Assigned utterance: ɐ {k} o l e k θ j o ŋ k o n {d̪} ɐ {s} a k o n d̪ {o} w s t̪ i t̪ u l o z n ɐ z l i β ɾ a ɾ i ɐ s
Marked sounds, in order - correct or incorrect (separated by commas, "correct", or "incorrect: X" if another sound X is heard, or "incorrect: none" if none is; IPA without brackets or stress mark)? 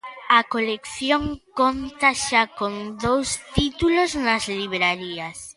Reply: correct, incorrect: t̪, incorrect: ʃ, correct